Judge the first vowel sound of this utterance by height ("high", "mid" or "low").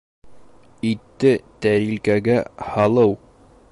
high